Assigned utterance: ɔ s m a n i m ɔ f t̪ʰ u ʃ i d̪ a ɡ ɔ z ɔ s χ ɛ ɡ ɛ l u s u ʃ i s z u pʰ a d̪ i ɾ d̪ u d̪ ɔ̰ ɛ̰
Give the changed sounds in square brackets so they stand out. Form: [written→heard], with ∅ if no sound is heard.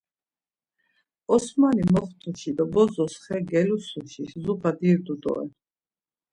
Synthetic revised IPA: ɔ s m a n i m ɔ [f→χ] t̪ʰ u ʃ i d̪ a [ɡ→b] ɔ z ɔ s χ ɛ ɡ ɛ l u s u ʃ i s z u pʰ a d̪ i ɾ d̪ u d̪ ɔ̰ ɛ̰